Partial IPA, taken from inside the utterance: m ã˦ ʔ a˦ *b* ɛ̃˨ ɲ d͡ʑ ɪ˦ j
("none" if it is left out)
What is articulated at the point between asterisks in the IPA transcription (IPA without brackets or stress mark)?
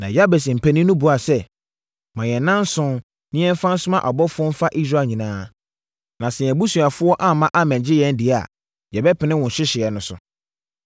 m